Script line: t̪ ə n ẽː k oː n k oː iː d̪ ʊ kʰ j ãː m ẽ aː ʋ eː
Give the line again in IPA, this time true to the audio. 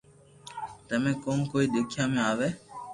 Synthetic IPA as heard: t̪ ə m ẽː k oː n k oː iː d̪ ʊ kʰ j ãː m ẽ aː ʋ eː